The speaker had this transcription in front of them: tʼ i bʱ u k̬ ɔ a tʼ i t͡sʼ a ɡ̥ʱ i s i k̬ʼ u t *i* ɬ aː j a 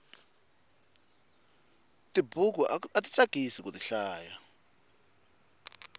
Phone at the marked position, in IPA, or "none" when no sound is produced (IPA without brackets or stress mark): i